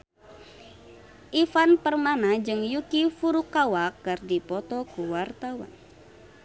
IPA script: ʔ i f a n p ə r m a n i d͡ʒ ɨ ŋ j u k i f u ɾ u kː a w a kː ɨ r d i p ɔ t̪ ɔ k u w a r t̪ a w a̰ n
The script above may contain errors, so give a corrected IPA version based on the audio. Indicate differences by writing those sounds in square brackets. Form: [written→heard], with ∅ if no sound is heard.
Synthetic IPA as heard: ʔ i f a n p ə r m a n [i→a] d͡ʒ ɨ ŋ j u k i f u ɾ u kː a w a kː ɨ r d i p ɔ t̪ ɔ k u w a r t̪ a w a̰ n